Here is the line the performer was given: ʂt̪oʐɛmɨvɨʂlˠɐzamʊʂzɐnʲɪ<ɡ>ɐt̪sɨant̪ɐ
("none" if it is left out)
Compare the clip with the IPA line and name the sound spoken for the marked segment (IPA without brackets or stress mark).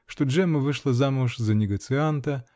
ɡ